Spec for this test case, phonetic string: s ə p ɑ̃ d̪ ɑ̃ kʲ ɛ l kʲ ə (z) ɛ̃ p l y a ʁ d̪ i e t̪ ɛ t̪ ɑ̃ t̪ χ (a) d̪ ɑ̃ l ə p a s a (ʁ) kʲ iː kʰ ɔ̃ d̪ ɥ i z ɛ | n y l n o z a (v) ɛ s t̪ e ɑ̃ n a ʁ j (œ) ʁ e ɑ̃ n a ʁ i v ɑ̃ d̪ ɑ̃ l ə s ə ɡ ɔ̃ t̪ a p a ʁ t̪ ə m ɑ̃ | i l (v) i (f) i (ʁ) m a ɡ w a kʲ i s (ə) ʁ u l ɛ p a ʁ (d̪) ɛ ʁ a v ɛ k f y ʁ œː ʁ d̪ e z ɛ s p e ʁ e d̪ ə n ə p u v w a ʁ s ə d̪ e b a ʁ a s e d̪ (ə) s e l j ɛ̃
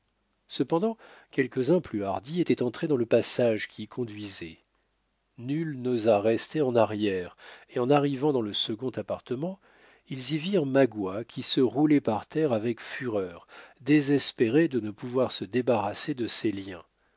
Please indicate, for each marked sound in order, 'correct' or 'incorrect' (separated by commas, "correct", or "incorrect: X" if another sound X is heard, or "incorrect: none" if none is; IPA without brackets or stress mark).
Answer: correct, incorrect: e, incorrect: ʒ, incorrect: ʁ, incorrect: ɛ, incorrect: z, incorrect: v, correct, correct, incorrect: t̪, correct